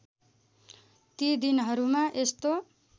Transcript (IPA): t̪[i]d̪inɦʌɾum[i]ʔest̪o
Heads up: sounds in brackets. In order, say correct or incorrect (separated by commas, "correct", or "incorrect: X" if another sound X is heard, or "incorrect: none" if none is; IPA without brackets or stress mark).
correct, incorrect: a